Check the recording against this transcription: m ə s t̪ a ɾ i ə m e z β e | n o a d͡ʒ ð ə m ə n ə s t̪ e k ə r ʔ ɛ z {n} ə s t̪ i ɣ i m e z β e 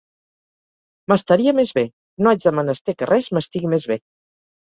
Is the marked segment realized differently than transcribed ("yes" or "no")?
yes